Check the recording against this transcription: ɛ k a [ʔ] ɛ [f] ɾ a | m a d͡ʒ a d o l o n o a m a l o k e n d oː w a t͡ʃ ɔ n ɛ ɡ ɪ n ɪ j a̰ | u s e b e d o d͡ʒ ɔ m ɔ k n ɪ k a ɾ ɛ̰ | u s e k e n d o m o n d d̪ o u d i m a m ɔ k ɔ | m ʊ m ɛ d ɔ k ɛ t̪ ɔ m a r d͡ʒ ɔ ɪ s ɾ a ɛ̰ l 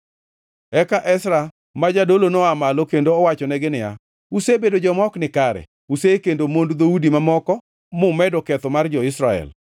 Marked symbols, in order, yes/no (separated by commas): yes, no